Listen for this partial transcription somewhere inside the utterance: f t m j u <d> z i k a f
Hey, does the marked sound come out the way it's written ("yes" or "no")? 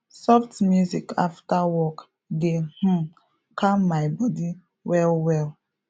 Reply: no